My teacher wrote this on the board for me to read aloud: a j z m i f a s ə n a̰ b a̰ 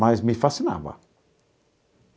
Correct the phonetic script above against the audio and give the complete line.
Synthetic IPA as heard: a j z m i f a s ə n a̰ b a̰